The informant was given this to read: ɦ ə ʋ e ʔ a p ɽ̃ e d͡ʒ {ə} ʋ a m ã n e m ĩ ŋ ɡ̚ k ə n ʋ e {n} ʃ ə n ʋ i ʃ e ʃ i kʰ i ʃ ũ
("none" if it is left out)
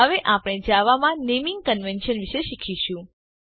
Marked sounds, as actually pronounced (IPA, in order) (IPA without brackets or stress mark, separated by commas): a, n